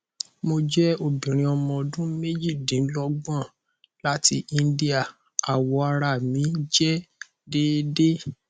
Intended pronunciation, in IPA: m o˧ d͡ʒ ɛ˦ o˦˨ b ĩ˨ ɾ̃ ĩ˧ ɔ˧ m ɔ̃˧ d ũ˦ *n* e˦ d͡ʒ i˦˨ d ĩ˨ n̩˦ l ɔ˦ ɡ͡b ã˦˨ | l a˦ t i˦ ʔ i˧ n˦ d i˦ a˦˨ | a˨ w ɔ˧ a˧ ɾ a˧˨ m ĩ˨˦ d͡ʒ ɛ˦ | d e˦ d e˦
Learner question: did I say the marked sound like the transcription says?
no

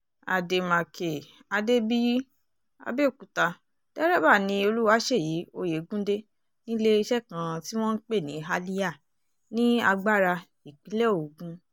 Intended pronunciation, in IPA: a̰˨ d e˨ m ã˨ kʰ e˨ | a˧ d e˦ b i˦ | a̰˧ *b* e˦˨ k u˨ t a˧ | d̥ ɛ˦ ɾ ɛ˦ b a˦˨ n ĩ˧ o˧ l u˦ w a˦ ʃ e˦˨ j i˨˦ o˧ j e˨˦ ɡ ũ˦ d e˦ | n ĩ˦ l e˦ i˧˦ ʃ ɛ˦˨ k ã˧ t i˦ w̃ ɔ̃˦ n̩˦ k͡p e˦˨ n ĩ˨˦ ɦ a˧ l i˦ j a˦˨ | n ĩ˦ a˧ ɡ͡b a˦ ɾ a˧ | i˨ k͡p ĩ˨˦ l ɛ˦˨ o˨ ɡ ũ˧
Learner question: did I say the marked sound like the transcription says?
yes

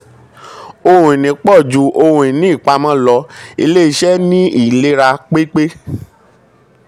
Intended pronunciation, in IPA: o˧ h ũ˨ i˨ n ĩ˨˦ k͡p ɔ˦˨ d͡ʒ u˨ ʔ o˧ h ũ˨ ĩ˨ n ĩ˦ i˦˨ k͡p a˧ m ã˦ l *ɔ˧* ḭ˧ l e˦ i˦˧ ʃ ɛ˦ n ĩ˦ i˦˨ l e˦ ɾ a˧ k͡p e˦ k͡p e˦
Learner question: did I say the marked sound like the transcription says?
yes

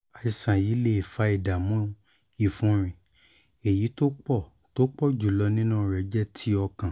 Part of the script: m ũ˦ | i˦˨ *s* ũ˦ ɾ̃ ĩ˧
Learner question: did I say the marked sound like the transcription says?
no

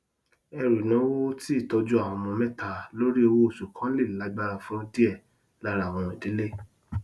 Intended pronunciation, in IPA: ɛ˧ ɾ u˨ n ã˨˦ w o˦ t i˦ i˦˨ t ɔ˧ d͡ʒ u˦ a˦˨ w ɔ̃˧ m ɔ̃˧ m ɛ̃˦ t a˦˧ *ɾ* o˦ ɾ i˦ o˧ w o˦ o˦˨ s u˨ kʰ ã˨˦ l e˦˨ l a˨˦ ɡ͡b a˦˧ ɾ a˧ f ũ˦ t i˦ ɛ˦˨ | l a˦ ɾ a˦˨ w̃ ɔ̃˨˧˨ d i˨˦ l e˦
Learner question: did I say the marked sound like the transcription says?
no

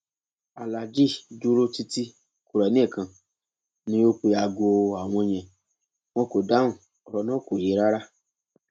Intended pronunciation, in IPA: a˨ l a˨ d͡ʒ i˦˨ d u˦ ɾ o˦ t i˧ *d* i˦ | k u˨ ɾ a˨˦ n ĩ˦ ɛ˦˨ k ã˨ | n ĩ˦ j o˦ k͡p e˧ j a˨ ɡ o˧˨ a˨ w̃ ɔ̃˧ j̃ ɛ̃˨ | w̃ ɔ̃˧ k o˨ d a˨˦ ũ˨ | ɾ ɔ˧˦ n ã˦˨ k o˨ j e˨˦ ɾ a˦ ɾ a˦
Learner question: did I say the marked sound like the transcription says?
no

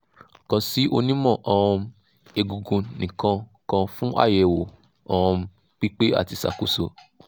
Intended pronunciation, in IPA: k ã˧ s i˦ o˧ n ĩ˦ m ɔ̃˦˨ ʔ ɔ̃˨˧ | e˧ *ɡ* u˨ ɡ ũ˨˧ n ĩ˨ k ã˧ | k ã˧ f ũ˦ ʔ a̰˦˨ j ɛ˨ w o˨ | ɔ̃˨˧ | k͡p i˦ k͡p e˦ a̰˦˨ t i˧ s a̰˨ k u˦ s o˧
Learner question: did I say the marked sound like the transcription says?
yes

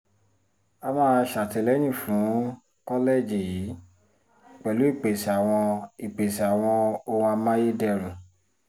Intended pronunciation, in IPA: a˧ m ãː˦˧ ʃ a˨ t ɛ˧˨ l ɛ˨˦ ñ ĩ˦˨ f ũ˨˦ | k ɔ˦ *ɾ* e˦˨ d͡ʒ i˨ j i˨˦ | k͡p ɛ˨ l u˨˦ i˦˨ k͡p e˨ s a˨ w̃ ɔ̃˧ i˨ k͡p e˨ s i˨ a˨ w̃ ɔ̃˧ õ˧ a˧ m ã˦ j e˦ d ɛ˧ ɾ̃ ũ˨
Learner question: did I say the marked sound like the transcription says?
no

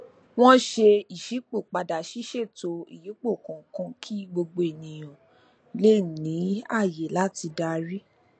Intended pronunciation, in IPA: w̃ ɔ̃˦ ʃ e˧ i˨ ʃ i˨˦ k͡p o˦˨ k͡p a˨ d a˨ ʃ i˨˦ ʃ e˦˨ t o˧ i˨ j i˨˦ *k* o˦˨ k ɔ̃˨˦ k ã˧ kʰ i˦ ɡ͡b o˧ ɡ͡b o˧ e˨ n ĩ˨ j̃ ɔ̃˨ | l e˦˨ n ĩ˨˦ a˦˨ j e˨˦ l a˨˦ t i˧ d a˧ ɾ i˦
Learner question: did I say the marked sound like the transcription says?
no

